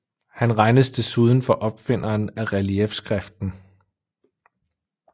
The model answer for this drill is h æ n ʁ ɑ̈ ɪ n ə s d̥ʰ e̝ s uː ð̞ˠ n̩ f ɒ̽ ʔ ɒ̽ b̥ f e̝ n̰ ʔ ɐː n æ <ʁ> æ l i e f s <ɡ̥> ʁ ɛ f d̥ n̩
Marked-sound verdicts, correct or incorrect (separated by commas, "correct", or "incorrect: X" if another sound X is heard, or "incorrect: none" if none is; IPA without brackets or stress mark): correct, correct